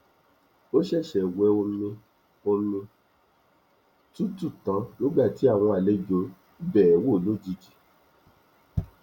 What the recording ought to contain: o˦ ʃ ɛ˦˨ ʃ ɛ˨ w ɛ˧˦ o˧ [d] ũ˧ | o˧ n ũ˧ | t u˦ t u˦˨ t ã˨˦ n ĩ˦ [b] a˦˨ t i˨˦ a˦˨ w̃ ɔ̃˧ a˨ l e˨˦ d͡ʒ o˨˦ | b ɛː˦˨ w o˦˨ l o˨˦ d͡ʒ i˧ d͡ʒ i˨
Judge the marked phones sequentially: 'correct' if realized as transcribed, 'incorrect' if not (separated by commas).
incorrect, incorrect